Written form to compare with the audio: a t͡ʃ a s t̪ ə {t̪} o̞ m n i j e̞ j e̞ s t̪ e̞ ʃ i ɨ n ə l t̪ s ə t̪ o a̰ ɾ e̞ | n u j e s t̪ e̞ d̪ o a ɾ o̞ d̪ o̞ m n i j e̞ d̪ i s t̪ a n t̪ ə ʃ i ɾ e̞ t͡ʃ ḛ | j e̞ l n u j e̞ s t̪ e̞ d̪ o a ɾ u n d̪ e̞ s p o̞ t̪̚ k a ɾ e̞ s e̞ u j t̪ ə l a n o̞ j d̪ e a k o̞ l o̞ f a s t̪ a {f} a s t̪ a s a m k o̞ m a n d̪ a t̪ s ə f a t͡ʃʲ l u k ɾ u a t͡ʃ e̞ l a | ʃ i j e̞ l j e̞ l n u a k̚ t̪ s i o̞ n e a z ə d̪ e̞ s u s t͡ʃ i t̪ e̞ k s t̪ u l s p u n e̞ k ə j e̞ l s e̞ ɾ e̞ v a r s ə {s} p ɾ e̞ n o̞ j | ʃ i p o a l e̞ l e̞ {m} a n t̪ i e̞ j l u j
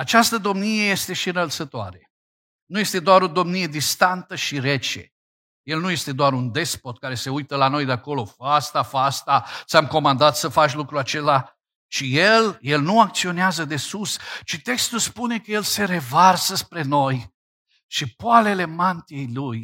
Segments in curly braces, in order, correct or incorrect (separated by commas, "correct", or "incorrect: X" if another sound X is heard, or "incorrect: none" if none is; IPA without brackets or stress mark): incorrect: d̪, correct, correct, correct